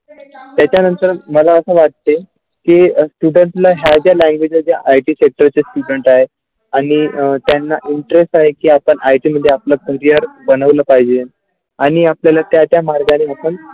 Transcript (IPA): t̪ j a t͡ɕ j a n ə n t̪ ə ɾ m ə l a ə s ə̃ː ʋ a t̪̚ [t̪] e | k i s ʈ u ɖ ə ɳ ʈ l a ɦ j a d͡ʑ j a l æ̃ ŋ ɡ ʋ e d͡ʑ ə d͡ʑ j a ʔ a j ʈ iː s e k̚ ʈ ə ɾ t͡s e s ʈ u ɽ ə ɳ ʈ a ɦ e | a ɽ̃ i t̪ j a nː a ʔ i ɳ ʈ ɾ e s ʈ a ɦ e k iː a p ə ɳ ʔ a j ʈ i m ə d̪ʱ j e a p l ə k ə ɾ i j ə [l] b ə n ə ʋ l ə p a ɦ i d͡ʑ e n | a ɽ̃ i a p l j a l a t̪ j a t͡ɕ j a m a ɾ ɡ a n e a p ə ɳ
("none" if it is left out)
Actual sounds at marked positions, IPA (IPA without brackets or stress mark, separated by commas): t̪, ɾ